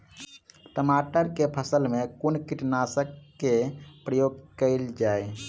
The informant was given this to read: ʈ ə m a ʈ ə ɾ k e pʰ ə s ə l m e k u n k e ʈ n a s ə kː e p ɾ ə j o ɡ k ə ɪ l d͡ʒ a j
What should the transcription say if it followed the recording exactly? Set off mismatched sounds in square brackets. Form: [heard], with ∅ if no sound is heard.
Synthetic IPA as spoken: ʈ ə m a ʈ ə ɾ k e pʰ ə s ə l m e k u n k [i] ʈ n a s ə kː e p ɾ ə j o ɡ k ə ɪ l d͡ʒ a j